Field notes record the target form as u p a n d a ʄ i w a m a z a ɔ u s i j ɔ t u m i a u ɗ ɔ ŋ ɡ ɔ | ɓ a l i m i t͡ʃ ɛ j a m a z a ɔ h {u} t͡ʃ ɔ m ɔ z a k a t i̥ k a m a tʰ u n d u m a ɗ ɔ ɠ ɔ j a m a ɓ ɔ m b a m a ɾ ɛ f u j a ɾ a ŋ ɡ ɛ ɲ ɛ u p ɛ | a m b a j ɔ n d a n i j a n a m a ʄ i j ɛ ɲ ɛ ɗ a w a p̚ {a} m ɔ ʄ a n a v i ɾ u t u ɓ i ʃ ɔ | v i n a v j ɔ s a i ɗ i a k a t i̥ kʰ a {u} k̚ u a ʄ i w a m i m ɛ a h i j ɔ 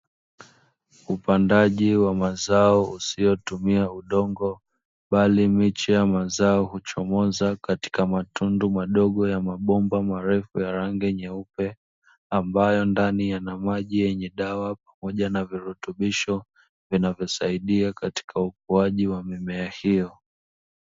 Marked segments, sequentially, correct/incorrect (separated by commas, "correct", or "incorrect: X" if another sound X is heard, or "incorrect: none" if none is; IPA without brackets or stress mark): correct, correct, correct